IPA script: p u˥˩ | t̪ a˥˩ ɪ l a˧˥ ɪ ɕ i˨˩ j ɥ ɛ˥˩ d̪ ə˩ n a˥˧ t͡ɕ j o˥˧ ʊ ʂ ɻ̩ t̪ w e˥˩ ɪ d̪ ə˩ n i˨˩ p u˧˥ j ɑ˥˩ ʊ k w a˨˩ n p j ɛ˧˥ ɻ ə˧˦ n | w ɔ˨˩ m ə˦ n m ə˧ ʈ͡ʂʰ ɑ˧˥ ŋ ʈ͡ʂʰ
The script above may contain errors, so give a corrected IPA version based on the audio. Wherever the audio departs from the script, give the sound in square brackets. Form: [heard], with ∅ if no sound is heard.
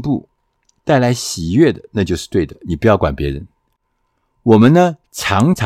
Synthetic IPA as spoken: p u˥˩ | t̪ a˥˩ ɪ l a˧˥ ɪ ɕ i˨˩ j ɥ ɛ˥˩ d̪ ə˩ n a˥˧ t͡ɕ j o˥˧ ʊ ʂ ɻ̩ t̪ w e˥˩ ɪ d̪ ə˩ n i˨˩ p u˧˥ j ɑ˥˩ ʊ k w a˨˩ n p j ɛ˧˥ ɻ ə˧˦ n | w ɔ˨˩ m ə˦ n [n] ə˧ ʈ͡ʂʰ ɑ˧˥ ŋ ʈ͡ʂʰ